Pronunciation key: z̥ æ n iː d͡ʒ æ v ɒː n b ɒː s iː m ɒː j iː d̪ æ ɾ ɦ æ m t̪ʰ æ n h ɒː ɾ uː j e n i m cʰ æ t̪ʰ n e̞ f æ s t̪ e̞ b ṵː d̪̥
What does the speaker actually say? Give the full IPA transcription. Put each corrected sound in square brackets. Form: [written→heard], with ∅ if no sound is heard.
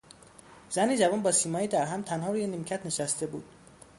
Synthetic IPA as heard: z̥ æ n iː d͡ʒ æ v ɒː n b ɒː s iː m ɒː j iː d̪ æ ɾ ɦ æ m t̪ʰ æ n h ɒː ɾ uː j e n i m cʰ æ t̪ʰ n e̞ [f→ʃ] æ s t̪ e̞ b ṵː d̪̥